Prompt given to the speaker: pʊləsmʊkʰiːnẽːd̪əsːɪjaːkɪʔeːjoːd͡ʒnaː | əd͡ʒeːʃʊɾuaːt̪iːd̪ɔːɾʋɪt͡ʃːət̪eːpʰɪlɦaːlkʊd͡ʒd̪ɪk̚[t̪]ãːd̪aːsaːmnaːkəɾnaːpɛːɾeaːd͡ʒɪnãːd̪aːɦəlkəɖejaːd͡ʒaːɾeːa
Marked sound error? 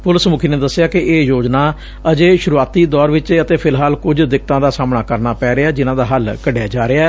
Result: no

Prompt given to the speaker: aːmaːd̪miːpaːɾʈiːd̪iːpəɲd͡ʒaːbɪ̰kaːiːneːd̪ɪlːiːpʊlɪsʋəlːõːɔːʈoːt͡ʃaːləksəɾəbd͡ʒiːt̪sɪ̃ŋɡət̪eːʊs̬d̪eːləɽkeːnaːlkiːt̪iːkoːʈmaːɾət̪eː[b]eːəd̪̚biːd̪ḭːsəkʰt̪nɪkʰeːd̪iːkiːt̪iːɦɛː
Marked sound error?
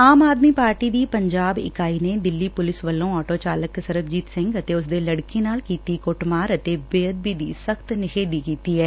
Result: no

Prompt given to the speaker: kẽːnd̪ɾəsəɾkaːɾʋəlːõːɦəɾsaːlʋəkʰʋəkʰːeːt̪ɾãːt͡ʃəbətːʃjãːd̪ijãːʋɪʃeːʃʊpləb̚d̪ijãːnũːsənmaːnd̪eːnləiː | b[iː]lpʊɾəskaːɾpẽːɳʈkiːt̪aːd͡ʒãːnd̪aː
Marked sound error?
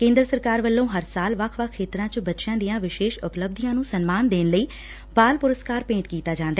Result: yes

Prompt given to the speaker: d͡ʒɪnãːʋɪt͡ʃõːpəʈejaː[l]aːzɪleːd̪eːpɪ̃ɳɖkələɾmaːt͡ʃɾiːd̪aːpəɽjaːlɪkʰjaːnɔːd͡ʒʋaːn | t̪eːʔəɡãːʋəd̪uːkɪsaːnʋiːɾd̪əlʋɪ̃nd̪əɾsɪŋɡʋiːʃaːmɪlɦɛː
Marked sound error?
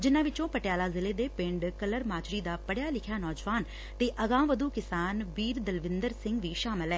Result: no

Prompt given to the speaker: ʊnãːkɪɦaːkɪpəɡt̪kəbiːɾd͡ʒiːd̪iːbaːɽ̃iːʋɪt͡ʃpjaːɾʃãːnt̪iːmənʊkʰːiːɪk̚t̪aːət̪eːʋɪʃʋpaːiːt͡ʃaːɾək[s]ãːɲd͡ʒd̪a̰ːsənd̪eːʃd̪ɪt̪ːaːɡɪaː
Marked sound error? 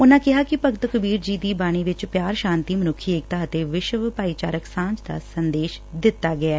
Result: no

